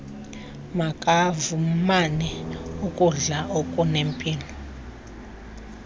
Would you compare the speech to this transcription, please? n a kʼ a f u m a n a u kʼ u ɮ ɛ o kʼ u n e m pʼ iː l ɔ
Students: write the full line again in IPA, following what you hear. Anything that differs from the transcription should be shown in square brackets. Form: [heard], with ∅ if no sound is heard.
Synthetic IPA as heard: [m] a kʼ a [v] u m a n [ɛ] u kʼ u ɮ [a] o kʼ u n e m pʼ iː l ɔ